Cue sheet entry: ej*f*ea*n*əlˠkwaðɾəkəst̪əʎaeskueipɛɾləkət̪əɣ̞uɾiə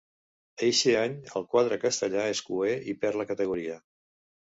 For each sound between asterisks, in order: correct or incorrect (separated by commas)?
incorrect, incorrect